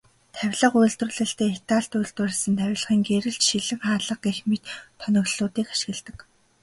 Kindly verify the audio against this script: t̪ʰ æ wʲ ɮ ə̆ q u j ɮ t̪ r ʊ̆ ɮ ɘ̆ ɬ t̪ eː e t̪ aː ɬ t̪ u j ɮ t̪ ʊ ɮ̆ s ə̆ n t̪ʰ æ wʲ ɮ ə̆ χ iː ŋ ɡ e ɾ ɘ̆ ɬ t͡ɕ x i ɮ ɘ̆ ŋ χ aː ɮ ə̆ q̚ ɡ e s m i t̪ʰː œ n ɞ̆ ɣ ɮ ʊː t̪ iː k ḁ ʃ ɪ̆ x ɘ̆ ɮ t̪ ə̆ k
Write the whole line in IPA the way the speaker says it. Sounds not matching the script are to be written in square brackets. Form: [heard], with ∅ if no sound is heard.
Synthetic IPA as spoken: t̪ʰ æ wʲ ɮ ə̆ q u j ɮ t̪ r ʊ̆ ɮ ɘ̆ ɬ t̪ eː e t̪ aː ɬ t̪ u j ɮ t̪ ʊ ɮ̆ s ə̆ n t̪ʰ æ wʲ ɮ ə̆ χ iː ŋ ɡ e ɾ ɘ̆ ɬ t͡ɕ [ʃ] i ɮ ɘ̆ ŋ χ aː ɮ ə̆ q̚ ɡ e [x] m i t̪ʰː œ n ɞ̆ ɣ ɮ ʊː t̪ iː k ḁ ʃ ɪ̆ [ɣ] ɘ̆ ɮ t̪ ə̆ k